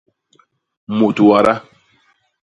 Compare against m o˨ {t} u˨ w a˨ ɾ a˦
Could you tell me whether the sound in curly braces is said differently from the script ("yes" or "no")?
no